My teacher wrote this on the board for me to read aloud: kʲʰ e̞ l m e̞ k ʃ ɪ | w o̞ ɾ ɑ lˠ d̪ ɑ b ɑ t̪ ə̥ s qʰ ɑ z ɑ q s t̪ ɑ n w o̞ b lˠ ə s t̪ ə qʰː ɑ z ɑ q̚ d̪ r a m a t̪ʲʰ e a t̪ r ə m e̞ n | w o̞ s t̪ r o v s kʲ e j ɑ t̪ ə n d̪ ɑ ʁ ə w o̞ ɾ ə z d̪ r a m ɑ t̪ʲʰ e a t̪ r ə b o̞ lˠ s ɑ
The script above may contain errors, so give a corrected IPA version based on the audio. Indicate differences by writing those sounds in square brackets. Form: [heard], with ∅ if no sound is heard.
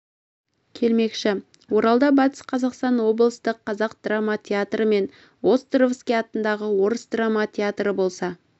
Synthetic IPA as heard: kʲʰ e̞ l m e̞ k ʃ ɪ | w o̞ ɾ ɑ lˠ d̪ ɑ b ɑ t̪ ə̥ s qʰ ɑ z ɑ q s t̪ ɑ n w o̞ b lˠ ə s t̪ ə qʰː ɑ z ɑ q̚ d̪ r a m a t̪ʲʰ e a t̪ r ə m e̞ n | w o̞ s t̪ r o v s kʲ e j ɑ t̪ ə n d̪ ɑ ʁ ə w o̞ ɾ ə [s] d̪ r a m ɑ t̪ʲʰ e a t̪ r ə b o̞ lˠ s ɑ